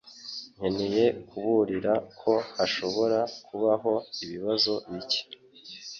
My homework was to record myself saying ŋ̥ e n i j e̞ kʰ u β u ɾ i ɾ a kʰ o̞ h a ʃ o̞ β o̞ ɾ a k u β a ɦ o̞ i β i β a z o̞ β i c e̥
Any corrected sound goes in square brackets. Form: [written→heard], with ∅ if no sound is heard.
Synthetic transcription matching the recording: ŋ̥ e n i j e̞ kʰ u β u ɾ i ɾ a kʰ o̞ h a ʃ o̞ β o̞ ɾ a k u β a ɦ o̞ i β i β a z o̞ β i c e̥